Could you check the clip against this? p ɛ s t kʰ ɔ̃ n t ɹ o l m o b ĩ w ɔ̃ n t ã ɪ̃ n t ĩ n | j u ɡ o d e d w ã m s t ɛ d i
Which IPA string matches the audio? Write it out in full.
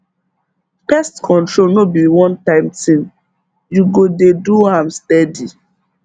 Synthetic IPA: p ɛ s t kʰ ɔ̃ n t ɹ o l n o b i w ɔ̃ n t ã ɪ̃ m t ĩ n | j u ɡ o d e d u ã m s t ɛ d i